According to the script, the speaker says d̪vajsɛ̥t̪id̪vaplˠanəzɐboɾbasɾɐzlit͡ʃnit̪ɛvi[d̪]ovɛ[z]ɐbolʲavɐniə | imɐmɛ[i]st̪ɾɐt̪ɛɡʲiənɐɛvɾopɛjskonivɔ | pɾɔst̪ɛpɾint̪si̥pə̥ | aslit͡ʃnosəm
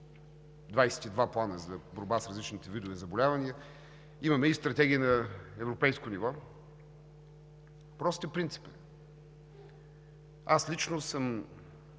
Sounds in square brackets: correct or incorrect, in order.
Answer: correct, correct, correct

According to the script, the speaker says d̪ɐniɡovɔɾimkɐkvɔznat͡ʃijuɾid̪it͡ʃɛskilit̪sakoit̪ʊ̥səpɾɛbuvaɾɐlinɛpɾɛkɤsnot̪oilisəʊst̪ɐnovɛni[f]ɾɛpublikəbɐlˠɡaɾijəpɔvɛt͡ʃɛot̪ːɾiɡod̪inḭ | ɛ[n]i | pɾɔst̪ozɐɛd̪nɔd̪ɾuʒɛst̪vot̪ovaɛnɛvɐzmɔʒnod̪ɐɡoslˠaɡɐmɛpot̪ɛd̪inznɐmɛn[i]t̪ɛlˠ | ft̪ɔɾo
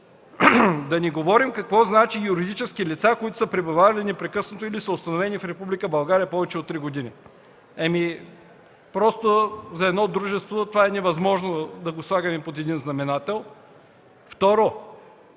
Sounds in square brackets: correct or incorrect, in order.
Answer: correct, incorrect, incorrect

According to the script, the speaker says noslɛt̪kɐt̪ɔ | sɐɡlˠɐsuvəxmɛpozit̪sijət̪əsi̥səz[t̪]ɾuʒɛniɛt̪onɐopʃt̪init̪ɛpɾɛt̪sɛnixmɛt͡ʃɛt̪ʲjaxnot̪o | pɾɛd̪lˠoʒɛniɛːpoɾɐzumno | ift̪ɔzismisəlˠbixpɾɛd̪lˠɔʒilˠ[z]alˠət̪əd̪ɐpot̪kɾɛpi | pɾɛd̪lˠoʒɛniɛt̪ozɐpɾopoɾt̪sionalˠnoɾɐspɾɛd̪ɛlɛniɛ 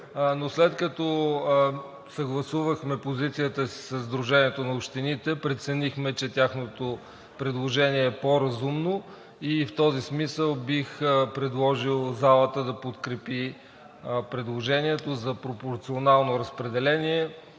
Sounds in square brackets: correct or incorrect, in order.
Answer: incorrect, correct

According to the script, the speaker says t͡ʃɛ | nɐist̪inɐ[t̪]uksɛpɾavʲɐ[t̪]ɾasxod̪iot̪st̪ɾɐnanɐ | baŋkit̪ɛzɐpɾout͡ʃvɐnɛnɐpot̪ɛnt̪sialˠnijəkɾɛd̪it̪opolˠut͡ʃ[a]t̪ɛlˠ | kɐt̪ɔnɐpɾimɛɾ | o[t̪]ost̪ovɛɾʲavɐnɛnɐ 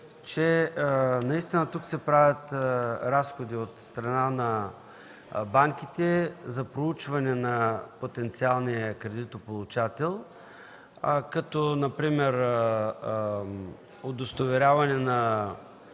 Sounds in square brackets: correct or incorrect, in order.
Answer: correct, correct, correct, incorrect

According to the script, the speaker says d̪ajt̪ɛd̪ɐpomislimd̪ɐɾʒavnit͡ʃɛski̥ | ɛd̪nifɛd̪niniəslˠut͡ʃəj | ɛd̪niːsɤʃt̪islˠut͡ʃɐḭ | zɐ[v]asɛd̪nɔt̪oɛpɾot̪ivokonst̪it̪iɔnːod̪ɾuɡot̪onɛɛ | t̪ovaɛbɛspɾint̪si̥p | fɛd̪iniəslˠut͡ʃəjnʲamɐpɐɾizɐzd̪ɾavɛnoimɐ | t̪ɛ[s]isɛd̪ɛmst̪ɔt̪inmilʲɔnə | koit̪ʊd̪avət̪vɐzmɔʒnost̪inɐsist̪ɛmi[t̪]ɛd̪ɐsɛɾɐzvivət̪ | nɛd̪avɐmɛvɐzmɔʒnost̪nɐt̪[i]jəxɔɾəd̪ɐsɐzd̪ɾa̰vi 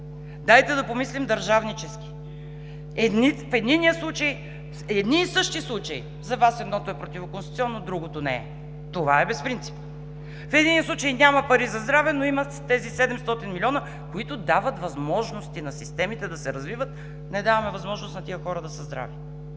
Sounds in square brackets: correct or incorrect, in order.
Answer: correct, incorrect, correct, correct

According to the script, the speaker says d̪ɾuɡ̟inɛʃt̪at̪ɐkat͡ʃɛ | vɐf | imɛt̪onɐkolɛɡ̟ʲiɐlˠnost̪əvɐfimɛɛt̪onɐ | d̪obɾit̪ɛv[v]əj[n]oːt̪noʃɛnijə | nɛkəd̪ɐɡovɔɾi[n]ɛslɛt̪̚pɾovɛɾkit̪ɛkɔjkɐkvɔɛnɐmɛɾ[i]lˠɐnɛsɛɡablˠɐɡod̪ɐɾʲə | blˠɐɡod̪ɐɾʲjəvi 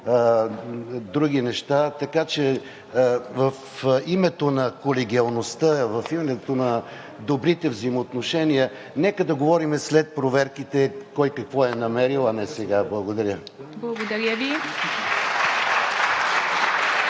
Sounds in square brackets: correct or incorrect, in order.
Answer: incorrect, incorrect, incorrect, correct

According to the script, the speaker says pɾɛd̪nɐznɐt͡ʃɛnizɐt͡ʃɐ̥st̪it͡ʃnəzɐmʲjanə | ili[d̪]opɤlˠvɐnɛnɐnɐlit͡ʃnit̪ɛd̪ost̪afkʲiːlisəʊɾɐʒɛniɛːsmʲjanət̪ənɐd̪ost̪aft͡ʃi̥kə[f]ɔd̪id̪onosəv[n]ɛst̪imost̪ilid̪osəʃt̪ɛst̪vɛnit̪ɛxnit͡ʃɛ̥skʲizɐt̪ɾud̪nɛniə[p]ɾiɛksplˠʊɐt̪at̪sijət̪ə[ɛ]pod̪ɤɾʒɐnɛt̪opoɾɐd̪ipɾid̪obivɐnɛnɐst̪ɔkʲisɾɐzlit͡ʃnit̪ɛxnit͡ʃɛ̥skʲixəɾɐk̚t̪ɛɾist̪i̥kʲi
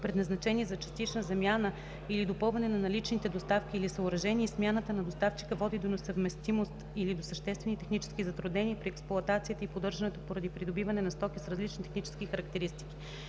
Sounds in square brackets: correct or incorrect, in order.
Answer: correct, incorrect, incorrect, correct, incorrect

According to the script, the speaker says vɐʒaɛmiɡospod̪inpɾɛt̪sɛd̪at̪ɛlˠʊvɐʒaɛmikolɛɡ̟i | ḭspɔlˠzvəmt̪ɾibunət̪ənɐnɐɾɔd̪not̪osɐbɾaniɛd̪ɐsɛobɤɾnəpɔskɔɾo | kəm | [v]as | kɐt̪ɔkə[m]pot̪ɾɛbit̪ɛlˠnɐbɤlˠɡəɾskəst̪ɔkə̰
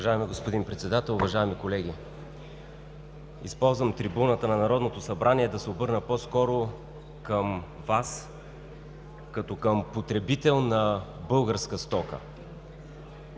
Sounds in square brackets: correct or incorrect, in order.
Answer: correct, correct

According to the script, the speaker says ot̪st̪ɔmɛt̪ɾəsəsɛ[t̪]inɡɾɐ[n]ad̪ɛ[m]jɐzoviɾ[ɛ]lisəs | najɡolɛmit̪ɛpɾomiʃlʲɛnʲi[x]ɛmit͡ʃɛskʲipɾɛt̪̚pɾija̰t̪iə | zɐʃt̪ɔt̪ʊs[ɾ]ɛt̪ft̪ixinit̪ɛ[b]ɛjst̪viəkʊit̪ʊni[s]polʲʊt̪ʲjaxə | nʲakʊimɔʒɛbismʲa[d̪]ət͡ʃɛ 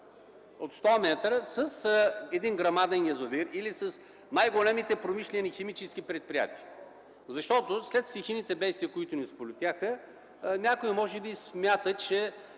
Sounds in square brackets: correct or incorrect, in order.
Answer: incorrect, incorrect, incorrect, incorrect, correct, incorrect, correct, correct, incorrect

